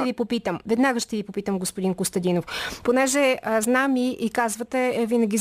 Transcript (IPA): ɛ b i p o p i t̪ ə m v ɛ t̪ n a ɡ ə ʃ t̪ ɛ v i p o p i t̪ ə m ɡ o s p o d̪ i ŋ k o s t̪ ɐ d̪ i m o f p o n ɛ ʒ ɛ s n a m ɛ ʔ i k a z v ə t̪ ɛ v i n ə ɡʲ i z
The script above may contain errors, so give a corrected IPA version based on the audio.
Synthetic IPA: ɛ v i p o p i t̪ ə m v ɛ d̪ n a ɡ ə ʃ t̪ ɛ v i p o p i t̪ ə m ɡ o s p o d̪ i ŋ k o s t̪ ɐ d̪ i n o f p o n ɛ ʒ ɛ z n a m i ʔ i k a z v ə t̪ ɛ v i n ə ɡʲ i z